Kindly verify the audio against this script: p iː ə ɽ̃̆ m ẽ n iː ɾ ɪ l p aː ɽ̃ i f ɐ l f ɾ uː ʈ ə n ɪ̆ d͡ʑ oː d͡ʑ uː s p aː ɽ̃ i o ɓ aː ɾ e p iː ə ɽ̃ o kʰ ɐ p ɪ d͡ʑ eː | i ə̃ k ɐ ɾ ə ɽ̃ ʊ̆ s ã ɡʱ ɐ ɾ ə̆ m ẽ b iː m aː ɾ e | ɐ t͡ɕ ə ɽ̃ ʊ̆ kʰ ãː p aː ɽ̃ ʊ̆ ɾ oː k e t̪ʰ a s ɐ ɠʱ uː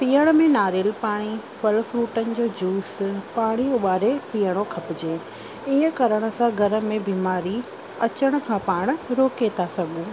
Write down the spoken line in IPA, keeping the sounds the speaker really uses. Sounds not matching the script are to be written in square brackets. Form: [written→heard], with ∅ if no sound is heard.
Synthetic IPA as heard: p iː ə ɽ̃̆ m ẽ n [iː→aː] ɾ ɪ l p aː ɽ̃ i f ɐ l f ɾ uː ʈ ə n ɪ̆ d͡ʑ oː d͡ʑ uː s p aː ɽ̃ i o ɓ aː ɾ e p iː ə ɽ̃ o kʰ ɐ p ɪ d͡ʑ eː | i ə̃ k ɐ ɾ ə ɽ̃ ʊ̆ s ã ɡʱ ɐ ɾ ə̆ m ẽ b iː m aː ɾ [e→i] | ɐ t͡ɕ ə ɽ̃ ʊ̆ kʰ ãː p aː ɽ̃ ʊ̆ ɾ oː k e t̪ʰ a s ɐ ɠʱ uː

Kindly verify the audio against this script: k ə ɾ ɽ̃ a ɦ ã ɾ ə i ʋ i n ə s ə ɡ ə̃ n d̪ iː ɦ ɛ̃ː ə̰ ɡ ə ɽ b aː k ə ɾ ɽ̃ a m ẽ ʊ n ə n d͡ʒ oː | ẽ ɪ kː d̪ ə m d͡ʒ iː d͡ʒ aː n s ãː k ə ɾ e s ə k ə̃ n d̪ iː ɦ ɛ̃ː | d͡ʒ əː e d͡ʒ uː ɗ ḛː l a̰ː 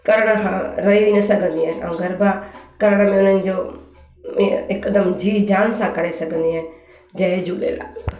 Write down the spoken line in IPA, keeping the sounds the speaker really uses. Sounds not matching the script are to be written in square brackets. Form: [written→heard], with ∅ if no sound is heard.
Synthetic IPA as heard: k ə ɾ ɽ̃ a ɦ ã ɾ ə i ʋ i n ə s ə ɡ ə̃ n d̪ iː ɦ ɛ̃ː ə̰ ɡ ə [ɽ→ɾ] b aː k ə ɾ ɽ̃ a m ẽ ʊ n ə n d͡ʒ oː | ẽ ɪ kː d̪ ə m d͡ʒ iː d͡ʒ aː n s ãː k ə ɾ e s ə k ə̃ n d̪ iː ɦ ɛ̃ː | d͡ʒ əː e d͡ʒ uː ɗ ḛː l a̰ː

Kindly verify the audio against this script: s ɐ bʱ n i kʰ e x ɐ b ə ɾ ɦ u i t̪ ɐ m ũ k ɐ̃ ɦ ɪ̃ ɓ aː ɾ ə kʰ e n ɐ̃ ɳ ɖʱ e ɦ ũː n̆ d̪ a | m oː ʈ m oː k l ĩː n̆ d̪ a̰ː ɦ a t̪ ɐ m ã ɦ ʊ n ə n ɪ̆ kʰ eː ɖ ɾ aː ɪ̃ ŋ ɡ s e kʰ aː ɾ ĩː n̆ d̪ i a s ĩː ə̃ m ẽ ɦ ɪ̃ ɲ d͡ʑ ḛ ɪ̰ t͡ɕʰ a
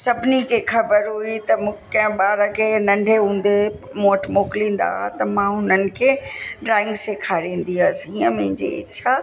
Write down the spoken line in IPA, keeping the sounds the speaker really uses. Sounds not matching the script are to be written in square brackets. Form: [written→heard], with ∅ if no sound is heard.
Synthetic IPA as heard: s ɐ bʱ n i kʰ e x ɐ b ə ɾ ɦ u i t̪ ɐ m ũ k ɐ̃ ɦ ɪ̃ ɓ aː ɾ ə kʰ e n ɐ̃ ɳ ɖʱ e ɦ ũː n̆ d̪ [a→e] | m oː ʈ m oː k l ĩː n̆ d̪ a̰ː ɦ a t̪ ɐ m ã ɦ ʊ n ə n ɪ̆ kʰ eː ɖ ɾ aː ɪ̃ ŋ ɡ s e kʰ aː ɾ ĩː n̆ d̪ i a s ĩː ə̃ m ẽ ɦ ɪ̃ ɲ d͡ʑ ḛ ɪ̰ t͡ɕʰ a

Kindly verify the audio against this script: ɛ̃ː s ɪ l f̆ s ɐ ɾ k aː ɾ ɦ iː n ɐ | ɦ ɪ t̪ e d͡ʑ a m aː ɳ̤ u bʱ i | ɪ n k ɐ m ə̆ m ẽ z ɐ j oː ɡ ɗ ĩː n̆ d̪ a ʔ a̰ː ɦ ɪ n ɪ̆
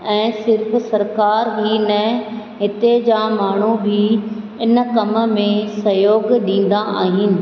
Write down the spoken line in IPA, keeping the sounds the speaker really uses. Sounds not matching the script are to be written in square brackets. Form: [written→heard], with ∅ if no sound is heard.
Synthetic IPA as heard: ɛ̃ː s ɪ [l→ɾ] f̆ s ɐ ɾ k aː ɾ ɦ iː n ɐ | ɦ ɪ t̪ e d͡ʑ a m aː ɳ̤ u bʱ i | ɪ n k ɐ m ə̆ m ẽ [z→s] ɐ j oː ɡ ɗ ĩː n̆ d̪ a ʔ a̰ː ɦ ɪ n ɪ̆

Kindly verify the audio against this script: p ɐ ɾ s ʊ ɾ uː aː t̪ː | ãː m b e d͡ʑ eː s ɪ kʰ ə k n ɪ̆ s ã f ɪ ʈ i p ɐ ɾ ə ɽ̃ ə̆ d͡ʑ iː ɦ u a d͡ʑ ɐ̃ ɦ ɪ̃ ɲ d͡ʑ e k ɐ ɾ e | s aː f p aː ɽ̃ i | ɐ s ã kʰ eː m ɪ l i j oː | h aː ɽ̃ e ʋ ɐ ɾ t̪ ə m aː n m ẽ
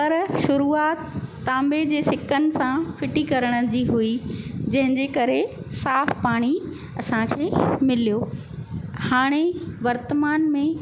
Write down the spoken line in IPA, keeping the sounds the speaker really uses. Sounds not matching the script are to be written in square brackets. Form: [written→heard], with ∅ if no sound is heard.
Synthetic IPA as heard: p ɐ ɾ [s→ʃ] ʊ ɾ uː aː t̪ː | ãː m b e d͡ʑ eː s ɪ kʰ ə [k→∅] n ɪ̆ s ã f ɪ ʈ i [p→k] ɐ ɾ ə ɽ̃ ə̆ d͡ʑ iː ɦ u [a→i] d͡ʑ ɐ̃ ɦ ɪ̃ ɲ d͡ʑ e k ɐ ɾ e | s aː f p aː ɽ̃ i | ɐ s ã kʰ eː m ɪ l i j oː | h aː ɽ̃ e ʋ ɐ ɾ t̪ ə m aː n m ẽ

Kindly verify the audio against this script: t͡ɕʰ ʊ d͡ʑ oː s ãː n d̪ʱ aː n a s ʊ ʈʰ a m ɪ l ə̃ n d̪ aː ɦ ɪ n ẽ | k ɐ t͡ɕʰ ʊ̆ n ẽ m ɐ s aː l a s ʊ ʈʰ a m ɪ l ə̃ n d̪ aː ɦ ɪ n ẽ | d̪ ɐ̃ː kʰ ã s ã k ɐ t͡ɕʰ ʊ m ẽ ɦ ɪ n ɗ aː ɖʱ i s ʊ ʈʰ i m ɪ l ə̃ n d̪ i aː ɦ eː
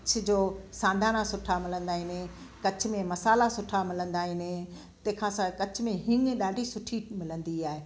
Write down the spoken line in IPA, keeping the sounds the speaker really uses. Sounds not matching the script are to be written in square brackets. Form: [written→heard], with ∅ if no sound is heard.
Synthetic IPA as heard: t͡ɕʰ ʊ d͡ʑ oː s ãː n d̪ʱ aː n a s ʊ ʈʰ a m ɪ l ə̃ n d̪ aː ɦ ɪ n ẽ | k ɐ t͡ɕʰ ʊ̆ [n→m] ẽ m ɐ s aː l a s ʊ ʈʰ a m ɪ l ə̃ n d̪ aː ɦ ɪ n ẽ | [d̪→t̪] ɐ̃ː kʰ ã s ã k ɐ t͡ɕʰ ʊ m ẽ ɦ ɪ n ɗ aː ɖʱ i s ʊ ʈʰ i m ɪ l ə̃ n d̪ i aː ɦ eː

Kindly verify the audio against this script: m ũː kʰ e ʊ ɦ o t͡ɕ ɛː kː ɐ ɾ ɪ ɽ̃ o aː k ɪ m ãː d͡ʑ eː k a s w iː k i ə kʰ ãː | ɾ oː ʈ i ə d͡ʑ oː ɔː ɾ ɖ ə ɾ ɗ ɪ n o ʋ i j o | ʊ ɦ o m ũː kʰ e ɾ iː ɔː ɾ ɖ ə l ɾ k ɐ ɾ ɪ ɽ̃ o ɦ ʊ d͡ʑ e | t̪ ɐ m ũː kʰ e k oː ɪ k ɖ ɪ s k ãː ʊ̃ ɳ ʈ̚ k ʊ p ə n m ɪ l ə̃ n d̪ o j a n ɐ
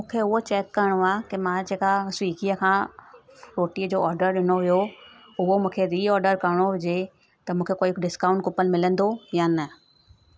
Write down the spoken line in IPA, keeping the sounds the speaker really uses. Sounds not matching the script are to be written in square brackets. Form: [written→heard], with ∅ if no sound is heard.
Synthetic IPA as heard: m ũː kʰ e ʊ ɦ o t͡ɕ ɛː kː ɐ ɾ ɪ ɽ̃ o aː k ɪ m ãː d͡ʑ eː k a s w iː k i ə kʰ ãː | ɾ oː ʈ i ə d͡ʑ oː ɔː ɾ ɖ ə ɾ ɗ ɪ n o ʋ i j o | ʊ ɦ o m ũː kʰ e ɾ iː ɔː ɾ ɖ ə [l→∅] ɾ k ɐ ɾ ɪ ɽ̃ o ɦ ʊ d͡ʑ e | t̪ ɐ m ũː kʰ e k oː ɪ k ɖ ɪ s k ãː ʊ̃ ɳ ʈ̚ k ʊ p ə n m ɪ l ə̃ n d̪ o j a n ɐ

